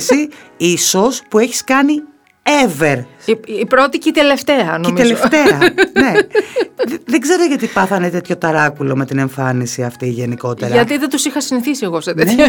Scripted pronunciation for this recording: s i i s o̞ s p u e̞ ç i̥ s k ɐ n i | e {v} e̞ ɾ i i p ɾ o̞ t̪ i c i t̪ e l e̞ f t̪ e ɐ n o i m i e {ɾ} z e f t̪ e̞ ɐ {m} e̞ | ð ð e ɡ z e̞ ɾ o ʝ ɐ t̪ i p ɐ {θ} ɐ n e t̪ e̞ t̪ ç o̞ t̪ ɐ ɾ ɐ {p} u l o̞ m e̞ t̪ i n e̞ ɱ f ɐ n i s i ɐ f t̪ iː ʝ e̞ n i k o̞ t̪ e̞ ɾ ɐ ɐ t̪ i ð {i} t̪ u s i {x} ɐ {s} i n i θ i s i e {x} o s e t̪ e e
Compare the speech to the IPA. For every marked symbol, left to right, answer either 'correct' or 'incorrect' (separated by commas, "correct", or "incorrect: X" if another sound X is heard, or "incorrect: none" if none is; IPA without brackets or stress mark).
correct, incorrect: l, incorrect: n, correct, incorrect: k, incorrect: e, correct, correct, incorrect: ɣ